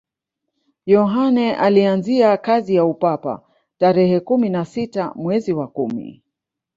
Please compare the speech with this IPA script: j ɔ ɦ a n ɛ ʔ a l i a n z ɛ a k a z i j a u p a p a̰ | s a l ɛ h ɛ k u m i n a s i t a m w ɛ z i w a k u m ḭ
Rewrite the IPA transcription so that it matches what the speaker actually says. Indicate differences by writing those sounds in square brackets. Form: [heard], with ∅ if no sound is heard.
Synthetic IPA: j ɔ ɦ a n ɛ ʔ a l i a n z [i] a k a z i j a u p a p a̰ | [t] a [ɾ] ɛ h ɛ k u m i n a s i t a m w ɛ z i w a k u m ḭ